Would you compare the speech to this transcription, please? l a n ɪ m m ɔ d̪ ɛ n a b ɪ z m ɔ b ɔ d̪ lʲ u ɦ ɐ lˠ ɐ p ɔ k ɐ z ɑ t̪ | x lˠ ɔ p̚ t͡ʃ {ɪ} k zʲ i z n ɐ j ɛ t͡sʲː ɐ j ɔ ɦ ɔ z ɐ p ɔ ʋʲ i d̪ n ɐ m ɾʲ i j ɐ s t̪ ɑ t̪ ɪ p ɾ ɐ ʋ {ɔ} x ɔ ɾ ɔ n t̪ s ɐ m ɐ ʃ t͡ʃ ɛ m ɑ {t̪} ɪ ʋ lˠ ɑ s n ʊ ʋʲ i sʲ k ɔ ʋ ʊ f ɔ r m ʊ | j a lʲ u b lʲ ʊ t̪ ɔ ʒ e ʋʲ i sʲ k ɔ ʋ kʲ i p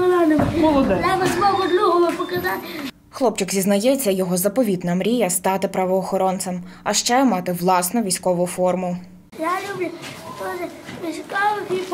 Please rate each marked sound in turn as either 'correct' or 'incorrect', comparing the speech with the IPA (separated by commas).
correct, incorrect, correct